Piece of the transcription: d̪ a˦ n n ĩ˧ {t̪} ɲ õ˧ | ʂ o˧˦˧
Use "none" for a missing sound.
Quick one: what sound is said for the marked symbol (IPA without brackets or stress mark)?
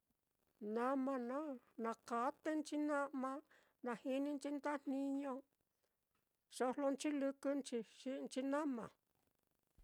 none